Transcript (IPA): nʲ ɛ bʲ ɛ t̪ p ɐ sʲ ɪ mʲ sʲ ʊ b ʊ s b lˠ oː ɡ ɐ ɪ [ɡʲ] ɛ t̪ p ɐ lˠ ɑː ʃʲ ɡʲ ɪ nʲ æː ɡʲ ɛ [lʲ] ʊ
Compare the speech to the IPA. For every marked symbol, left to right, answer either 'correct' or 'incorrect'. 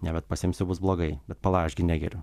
incorrect: bʲ, incorrect: ɾʲ

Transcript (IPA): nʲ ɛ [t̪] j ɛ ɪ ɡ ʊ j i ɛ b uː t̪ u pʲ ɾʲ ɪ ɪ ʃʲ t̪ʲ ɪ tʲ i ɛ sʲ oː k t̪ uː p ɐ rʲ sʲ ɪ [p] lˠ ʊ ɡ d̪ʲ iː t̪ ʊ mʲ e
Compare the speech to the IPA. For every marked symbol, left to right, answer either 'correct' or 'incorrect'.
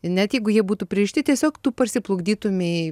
correct, correct

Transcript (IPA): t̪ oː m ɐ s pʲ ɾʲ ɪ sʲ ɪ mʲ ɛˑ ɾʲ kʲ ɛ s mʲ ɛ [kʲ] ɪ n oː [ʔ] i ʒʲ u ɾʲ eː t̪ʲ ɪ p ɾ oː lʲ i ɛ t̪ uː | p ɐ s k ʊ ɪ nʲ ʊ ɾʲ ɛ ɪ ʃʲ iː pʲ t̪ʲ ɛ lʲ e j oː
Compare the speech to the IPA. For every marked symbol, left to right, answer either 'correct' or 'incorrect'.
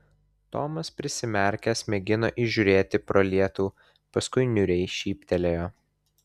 incorrect: ɡʲ, correct

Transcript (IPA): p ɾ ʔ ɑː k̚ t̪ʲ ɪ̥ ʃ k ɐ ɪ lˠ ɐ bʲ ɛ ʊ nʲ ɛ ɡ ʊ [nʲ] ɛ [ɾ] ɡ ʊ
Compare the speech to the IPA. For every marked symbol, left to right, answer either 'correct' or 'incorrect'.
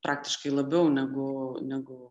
correct, incorrect: none

